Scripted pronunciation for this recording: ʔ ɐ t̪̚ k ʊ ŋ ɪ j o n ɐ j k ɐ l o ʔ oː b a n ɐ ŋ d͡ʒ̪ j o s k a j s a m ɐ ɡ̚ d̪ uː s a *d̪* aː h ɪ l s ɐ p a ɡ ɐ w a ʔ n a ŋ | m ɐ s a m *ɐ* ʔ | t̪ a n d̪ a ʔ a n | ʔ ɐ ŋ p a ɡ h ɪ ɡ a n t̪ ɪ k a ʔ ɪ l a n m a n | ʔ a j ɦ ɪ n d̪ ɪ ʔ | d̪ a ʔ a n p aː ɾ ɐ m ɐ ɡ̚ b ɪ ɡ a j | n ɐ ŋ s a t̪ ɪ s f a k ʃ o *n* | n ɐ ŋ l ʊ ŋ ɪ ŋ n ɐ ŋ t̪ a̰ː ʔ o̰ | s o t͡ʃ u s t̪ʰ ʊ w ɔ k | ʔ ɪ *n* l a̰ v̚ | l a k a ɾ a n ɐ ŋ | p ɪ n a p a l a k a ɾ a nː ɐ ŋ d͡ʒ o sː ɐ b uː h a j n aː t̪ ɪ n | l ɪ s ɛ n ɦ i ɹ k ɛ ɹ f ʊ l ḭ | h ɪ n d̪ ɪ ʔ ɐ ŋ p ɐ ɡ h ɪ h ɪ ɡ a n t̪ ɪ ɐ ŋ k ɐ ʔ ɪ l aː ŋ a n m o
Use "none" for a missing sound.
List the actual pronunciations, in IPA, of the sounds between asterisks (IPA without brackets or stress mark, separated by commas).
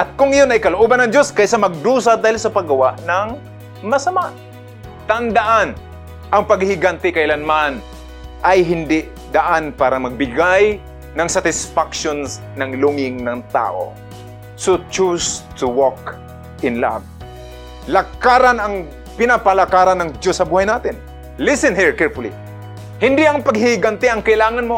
d̪, a, n, n